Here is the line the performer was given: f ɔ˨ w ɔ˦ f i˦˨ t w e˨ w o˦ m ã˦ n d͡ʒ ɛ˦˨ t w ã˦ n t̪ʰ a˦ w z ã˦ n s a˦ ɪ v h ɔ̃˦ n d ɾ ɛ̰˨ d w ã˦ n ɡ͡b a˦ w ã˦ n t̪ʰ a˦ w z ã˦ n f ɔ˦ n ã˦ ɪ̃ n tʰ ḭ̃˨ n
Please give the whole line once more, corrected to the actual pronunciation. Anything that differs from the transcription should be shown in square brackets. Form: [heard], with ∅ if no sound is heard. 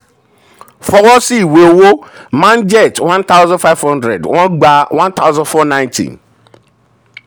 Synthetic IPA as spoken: f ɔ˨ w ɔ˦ [s] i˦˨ [∅] w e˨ w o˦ m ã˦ n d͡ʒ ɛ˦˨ t w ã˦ n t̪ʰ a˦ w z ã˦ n [f] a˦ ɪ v h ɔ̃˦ n d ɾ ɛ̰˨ d w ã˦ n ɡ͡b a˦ w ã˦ n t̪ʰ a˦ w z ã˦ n f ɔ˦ n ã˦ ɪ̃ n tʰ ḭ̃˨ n

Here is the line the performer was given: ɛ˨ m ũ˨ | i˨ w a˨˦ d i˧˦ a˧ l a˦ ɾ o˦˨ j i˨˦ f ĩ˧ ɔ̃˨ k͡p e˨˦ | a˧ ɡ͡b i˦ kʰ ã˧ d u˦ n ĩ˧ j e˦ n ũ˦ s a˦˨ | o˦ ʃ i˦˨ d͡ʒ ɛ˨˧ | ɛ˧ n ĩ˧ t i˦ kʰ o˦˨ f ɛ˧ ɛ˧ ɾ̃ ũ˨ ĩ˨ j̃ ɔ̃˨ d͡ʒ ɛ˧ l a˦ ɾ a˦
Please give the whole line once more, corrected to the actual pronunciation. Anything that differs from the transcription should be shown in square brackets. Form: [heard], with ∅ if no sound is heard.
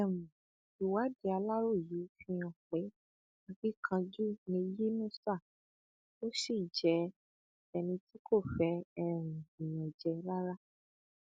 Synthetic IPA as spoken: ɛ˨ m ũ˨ | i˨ w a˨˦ d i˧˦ a˧ l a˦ ɾ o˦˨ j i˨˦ f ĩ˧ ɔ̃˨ k͡p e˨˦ | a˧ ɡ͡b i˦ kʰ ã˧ [d͡ʒ] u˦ n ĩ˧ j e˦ n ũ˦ s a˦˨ | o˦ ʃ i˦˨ d͡ʒ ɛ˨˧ | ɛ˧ n ĩ˧ t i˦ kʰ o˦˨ f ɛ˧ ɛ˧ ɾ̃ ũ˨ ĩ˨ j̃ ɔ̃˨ d͡ʒ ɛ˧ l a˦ ɾ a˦

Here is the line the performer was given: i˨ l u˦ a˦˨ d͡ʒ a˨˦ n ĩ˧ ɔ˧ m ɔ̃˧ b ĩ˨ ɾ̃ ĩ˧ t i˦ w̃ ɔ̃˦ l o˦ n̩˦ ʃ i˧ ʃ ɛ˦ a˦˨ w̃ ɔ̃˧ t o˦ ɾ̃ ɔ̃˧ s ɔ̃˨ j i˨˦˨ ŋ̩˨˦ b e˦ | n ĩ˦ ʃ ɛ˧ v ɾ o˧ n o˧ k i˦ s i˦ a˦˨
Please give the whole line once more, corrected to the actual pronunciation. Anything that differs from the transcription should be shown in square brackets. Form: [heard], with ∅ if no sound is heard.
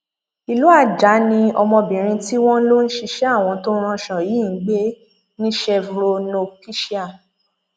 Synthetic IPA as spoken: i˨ l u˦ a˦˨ d͡ʒ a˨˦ n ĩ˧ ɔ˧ m ɔ̃˧ b ĩ˨ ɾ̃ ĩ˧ t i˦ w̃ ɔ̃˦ l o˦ n̩˦ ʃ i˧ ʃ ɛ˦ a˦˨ w̃ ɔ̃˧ t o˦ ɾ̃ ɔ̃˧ [ʃ] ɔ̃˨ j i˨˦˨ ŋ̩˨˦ [ɡ͡b] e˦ | n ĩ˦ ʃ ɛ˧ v ɾ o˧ n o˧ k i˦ [ʃ] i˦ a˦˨

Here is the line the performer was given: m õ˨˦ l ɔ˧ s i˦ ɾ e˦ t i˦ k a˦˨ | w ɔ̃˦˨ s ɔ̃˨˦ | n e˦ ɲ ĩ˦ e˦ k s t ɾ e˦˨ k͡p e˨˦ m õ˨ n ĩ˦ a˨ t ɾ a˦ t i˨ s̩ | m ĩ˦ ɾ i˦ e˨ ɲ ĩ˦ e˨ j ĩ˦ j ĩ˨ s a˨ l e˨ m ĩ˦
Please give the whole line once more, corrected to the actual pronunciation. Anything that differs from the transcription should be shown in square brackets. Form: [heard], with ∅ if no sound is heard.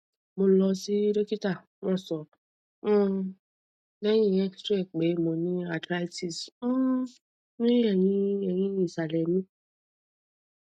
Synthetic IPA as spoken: m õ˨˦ l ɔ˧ s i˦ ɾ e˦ [k] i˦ [t] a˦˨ | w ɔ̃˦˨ s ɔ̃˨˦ | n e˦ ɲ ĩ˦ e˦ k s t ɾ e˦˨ k͡p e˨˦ m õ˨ n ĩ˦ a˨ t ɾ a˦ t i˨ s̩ | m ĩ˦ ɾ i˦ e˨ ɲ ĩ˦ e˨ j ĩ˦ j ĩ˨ s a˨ l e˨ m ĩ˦

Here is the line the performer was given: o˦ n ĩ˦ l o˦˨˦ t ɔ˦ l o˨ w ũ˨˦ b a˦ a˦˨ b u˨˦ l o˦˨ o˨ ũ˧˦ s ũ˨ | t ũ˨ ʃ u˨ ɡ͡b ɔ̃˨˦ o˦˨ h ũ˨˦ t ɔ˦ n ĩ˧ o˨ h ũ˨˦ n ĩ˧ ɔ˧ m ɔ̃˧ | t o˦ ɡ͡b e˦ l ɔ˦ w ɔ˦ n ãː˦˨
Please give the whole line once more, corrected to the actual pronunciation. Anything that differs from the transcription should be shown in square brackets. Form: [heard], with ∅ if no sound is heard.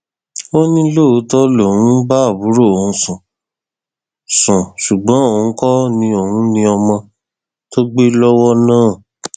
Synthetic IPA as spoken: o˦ n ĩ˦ l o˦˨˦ t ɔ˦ l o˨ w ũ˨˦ b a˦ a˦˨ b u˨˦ [ɾ] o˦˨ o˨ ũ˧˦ s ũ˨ | [s] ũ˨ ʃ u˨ ɡ͡b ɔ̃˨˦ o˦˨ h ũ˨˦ [k] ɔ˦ n ĩ˧ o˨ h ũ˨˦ n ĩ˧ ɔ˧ m ɔ̃˧ | t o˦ ɡ͡b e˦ l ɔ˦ w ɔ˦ n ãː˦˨

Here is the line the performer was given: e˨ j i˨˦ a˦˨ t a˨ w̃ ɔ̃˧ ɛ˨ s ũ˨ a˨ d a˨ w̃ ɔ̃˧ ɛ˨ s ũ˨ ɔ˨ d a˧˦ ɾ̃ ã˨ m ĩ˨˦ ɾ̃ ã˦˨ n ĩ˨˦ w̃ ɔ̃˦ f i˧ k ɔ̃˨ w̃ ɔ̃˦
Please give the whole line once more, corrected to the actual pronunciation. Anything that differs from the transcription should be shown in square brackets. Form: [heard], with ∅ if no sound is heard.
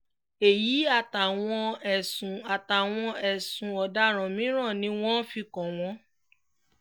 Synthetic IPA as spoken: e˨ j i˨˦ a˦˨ t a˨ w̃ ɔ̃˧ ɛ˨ s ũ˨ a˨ [t] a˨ w̃ ɔ̃˧ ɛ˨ s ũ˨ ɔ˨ d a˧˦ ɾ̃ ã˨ m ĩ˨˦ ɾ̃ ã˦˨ n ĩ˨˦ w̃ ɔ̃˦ f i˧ k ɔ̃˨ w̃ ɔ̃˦

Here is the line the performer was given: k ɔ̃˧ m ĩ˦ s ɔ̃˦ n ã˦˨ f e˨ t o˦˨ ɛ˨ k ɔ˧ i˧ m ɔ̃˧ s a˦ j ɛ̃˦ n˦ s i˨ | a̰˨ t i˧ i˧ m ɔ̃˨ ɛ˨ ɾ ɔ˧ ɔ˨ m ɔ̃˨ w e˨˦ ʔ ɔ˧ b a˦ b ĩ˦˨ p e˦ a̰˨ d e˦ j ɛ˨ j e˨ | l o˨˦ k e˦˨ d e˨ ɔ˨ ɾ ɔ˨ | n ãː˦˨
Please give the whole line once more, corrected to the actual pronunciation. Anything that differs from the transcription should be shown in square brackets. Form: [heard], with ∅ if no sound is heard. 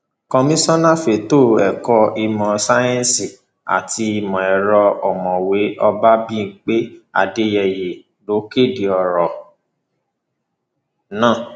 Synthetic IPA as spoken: k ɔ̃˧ m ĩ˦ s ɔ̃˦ n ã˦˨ f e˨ t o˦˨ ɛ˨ k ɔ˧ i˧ m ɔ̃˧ s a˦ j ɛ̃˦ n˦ s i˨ | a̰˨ t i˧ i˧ m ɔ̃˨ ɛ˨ ɾ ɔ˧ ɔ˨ m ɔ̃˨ w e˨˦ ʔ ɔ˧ b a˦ b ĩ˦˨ [k͡p] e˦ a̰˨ d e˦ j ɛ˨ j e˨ | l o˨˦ k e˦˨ d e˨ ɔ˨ ɾ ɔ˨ | n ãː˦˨

